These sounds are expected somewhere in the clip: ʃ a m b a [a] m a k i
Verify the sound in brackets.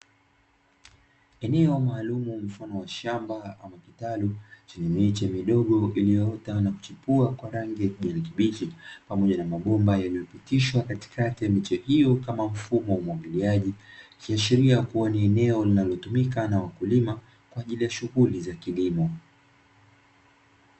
correct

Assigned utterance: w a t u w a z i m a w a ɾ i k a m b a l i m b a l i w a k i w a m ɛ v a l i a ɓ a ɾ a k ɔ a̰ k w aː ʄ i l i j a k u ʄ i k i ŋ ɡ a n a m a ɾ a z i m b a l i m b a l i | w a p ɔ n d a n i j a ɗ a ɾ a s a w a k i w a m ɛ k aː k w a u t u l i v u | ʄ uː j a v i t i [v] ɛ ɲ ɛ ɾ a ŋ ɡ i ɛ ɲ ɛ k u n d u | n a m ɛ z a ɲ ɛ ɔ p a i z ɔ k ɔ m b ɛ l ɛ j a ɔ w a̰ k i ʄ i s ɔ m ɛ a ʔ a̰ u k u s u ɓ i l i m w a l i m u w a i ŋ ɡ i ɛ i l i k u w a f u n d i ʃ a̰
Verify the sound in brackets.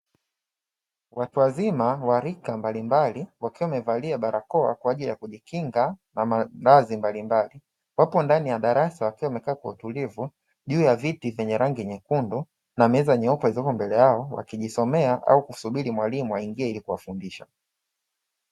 correct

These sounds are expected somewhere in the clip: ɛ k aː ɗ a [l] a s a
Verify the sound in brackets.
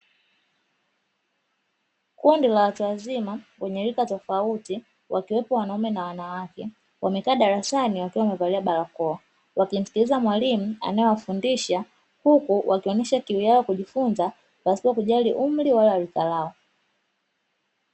incorrect: ɾ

